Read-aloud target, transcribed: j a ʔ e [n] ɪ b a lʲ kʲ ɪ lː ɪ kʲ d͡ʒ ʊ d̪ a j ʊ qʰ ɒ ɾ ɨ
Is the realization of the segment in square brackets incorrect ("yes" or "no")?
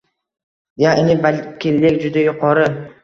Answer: no